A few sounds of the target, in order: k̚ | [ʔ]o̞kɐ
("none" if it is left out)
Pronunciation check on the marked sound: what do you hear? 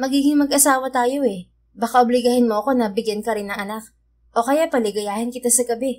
ʔ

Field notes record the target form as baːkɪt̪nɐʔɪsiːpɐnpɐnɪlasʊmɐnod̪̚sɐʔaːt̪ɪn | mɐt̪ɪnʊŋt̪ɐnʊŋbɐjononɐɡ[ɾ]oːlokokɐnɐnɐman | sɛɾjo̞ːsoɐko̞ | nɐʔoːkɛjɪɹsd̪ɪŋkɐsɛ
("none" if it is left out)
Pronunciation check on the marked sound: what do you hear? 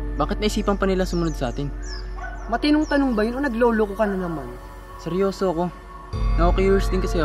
l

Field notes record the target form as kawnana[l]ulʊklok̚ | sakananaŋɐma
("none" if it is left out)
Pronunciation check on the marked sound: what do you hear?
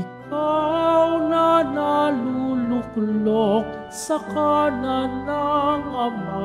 l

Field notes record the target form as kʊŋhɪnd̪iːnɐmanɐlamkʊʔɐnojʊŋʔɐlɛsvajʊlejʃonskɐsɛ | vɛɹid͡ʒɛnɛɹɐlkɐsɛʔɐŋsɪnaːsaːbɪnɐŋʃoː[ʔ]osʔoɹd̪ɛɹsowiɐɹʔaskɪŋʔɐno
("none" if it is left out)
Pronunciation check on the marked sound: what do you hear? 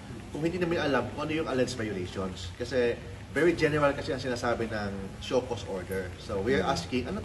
k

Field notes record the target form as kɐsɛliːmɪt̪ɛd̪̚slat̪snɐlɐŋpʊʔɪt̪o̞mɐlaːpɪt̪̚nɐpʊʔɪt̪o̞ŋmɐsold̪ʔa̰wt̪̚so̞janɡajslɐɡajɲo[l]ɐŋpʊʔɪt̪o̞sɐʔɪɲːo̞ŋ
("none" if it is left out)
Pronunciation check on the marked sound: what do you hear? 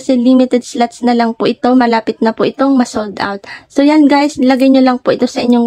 l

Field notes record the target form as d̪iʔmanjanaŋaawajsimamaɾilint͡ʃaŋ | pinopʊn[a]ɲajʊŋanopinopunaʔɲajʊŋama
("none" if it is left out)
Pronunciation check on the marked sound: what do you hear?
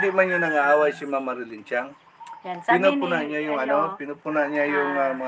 a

